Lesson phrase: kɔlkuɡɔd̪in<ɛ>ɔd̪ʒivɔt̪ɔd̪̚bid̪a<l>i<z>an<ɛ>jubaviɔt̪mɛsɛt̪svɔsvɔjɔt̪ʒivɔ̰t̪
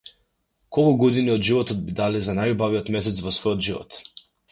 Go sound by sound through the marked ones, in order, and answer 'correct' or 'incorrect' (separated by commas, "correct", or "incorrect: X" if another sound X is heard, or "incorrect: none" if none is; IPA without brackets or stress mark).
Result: incorrect: i, correct, correct, incorrect: a